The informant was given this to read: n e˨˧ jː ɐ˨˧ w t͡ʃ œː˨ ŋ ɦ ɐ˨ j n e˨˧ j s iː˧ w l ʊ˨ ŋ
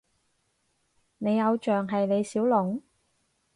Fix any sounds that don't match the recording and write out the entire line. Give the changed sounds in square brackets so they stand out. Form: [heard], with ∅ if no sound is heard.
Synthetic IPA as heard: n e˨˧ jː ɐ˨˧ w t͡ʃ œː˨ ŋ ɦ ɐ˨ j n e˨˧ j s [iː˨˥] w l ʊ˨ ŋ

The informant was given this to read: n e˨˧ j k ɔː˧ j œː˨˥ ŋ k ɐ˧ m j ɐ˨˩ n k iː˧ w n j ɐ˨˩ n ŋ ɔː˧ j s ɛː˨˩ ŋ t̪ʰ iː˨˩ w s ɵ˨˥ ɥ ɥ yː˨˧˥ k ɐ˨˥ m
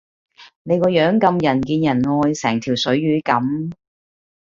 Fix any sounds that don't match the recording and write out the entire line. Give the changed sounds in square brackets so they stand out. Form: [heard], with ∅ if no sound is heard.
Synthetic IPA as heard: n e˨˧ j k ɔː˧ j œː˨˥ ŋ k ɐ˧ m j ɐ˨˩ n k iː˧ [∅] n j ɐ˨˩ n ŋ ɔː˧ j s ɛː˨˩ ŋ t̪ʰ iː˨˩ w s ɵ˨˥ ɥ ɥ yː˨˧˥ k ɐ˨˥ m

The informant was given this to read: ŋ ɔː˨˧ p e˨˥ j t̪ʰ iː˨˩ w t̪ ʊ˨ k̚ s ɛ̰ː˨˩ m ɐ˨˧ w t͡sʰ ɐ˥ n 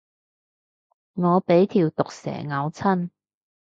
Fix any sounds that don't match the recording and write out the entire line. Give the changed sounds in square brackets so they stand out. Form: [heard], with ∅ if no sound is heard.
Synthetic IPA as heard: ŋ ɔː˨˧ p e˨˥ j t̪ʰ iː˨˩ w t̪ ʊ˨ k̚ s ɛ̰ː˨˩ [ŋ] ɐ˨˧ w t͡sʰ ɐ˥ n

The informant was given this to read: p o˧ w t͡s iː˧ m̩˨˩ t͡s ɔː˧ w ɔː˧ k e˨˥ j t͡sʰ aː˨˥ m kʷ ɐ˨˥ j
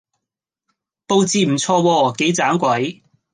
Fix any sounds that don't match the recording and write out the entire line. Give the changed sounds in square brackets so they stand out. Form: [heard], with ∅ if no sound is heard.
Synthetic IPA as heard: p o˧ w t͡s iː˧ m̩˨˩ [t͡sʰ] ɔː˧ w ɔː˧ k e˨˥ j [t͡s] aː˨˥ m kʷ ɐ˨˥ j

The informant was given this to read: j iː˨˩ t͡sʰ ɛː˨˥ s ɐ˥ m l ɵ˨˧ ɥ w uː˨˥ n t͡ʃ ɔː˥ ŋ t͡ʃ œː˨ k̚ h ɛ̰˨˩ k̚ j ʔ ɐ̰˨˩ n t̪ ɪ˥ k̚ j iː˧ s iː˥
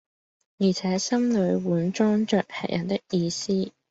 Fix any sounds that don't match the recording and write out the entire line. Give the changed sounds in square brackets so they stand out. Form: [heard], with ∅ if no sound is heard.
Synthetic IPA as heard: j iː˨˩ t͡sʰ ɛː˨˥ s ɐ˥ m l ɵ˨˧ ɥ w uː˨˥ n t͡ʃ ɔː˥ ŋ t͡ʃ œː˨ k̚ h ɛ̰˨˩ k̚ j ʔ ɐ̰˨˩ n t̪ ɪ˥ k̚ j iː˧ s iː˥

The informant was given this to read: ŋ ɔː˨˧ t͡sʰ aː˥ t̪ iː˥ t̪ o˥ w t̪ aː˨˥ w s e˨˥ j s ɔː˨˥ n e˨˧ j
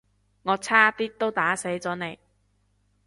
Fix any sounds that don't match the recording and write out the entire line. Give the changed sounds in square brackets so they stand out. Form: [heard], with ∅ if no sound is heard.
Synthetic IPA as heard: ŋ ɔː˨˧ t͡sʰ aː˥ t̪ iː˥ t̪ o˥ w t̪ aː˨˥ [∅] s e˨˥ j [t͡s] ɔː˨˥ n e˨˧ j

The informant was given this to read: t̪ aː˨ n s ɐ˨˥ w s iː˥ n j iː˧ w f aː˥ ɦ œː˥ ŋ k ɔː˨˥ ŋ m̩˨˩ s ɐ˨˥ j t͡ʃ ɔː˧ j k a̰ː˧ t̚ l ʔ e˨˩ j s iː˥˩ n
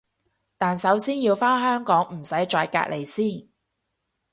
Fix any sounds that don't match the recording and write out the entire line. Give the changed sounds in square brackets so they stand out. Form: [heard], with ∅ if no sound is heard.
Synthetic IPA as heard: t̪ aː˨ n s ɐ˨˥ w s iː˥ n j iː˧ w f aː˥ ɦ œː˥ ŋ k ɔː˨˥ ŋ m̩˨˩ s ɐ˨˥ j t͡ʃ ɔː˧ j k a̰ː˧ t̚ l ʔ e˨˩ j s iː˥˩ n

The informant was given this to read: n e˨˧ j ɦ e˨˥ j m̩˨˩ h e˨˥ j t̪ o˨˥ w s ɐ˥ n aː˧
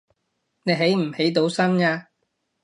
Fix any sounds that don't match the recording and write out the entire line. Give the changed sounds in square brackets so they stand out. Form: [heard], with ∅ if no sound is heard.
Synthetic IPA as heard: n e˨˧ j ɦ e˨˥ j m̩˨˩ h e˨˥ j t̪ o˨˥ w s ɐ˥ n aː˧

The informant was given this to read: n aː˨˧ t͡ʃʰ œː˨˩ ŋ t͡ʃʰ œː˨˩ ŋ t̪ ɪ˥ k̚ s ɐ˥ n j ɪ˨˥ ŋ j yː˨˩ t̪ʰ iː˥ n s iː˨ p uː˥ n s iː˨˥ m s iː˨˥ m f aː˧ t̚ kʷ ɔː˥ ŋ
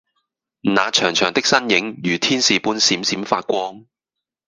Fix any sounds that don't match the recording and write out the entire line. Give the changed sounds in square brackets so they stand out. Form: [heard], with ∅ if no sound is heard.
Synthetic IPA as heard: n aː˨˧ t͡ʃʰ œː˨˩ ŋ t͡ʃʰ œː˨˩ ŋ t̪ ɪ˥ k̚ s ɐ˥ n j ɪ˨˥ ŋ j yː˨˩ t̪ʰ iː˥ n s iː˨ p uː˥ n s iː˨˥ m s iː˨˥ m f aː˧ t̚ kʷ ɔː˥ ŋ

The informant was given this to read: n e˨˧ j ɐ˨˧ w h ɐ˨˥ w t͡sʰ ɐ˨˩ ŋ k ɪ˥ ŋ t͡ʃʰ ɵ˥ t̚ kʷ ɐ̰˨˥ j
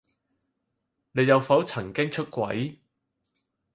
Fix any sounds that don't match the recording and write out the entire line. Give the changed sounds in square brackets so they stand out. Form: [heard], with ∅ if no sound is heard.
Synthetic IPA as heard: n e˨˧ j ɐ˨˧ w [f] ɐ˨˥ w t͡sʰ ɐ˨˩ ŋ k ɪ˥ ŋ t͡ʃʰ ɵ˥ t̚ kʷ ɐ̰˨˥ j

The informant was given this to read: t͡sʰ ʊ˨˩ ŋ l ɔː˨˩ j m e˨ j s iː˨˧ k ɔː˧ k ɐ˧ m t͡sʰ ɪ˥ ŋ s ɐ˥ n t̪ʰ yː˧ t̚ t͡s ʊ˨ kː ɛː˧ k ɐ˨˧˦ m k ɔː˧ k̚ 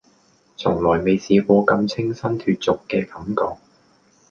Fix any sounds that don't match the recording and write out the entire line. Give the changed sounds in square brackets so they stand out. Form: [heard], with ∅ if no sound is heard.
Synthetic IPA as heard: t͡sʰ ʊ˨˩ ŋ l ɔː˨˩ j m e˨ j s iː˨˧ k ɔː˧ k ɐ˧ m t͡sʰ ɪ˥ ŋ s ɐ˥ n t̪ʰ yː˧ t̚ t͡s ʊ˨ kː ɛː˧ k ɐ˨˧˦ m k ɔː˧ k̚

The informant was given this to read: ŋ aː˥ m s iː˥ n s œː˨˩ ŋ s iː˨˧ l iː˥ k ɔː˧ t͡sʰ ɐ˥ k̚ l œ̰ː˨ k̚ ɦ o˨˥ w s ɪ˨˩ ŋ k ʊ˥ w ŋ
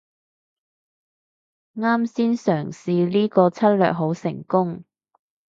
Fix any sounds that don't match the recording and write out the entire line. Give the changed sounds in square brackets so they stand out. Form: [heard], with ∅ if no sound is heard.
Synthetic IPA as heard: ŋ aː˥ m s iː˥ n s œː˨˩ ŋ s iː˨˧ l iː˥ k ɔː˧ t͡sʰ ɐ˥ [t̚] l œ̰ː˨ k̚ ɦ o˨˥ w s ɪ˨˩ ŋ k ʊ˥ [∅] ŋ

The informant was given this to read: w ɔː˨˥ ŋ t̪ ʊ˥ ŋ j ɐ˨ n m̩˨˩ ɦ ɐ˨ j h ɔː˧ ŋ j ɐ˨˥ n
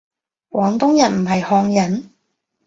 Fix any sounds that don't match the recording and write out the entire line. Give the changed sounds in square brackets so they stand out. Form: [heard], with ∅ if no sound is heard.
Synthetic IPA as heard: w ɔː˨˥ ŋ t̪ ʊ˥ ŋ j ɐ˨ n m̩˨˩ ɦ ɐ˨ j h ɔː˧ ŋ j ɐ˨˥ n

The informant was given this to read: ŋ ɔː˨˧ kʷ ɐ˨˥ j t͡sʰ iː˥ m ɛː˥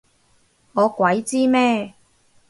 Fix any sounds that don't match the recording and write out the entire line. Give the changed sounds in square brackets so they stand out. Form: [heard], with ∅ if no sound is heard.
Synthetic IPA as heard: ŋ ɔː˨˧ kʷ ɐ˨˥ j [t͡s] iː˥ m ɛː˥

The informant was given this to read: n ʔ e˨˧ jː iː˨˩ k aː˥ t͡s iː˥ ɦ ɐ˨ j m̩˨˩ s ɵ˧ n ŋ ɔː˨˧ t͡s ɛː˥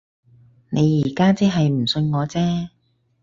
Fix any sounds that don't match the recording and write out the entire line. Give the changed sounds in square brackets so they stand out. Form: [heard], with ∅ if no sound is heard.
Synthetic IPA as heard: n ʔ e˨˧ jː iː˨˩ k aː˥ t͡s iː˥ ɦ ɐ˨ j m̩˨˩ s ɵ˧ n ŋ ɔː˨˧ t͡s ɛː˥

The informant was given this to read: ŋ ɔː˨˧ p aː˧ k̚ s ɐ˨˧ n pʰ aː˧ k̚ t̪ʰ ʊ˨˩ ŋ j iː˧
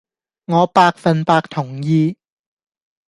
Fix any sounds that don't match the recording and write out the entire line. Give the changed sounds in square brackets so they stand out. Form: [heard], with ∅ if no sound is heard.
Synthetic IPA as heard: ŋ ɔː˨˧ p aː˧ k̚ [f] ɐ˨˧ n [p] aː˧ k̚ t̪ʰ ʊ˨˩ ŋ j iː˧

